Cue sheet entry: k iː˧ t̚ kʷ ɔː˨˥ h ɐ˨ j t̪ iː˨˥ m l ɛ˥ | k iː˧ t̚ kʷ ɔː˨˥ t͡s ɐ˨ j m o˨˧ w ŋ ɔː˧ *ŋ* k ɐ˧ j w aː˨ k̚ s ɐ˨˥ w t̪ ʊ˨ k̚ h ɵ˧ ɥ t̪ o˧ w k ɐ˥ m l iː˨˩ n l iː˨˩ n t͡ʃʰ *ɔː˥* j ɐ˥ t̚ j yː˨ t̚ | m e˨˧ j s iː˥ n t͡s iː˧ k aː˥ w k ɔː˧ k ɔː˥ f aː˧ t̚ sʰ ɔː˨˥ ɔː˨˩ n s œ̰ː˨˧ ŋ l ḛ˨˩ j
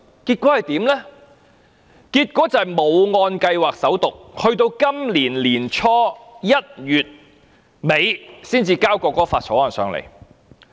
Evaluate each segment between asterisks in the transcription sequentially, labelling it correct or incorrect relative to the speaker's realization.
incorrect: n, correct

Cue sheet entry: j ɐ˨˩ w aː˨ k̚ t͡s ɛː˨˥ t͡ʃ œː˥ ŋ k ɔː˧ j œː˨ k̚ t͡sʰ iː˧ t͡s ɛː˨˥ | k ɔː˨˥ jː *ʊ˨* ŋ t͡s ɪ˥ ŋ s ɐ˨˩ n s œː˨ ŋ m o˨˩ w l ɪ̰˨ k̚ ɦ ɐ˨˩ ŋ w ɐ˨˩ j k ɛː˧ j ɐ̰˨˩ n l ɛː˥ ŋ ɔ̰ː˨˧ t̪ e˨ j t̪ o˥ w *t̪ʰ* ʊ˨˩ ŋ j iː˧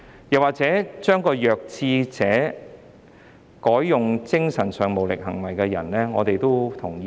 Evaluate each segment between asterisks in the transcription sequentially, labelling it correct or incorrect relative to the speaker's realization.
correct, correct

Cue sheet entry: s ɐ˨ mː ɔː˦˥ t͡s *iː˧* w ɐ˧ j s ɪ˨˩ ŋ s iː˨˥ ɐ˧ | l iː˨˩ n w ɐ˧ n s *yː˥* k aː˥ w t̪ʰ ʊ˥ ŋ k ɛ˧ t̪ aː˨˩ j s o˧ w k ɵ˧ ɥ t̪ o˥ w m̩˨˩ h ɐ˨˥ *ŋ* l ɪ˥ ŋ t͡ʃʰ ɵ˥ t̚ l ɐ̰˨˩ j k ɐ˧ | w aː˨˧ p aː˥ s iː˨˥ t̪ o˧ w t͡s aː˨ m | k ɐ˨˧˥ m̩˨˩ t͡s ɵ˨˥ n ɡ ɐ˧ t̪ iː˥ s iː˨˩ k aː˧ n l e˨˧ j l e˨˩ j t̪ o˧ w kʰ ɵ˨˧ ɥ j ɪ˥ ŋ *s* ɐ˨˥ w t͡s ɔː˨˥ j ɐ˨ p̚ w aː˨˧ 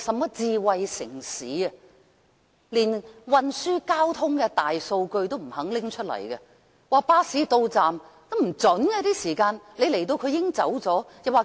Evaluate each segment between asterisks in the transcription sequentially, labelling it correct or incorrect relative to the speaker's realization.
correct, correct, correct, incorrect: t͡s

